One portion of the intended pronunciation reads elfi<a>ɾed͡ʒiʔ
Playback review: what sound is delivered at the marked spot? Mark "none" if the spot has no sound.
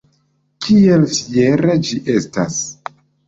e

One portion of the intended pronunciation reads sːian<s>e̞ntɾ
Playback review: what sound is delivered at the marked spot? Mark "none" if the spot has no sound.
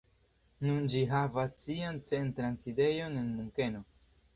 t͡s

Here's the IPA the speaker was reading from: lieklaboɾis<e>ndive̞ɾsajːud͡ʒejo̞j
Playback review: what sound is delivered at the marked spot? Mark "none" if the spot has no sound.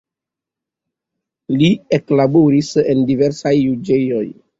e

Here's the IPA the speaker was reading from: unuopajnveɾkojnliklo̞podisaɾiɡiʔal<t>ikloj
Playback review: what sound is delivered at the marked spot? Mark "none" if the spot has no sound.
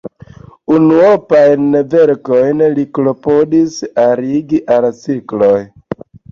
t͡s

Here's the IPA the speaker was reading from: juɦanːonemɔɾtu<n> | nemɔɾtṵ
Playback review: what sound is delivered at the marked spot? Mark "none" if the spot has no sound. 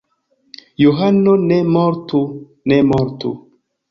none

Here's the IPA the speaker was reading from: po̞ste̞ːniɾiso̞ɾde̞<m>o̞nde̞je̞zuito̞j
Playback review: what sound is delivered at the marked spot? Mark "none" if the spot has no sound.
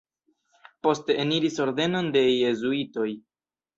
n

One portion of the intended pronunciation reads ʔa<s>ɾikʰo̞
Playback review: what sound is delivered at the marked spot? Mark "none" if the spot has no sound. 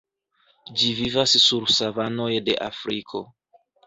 f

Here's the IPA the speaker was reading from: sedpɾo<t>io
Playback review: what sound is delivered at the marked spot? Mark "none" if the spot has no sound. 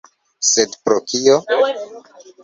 k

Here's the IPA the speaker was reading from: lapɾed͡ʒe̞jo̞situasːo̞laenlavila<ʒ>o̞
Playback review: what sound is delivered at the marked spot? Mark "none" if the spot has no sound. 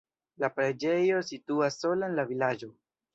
d͡ʒ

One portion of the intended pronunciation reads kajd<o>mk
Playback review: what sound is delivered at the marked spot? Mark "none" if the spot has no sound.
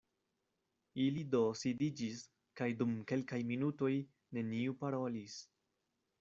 u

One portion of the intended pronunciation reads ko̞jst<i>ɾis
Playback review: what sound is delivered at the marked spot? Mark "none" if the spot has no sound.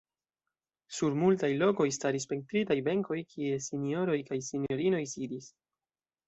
a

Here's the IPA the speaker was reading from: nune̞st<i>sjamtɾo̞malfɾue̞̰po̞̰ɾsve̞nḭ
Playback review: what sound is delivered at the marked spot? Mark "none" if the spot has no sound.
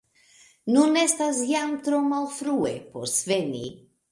a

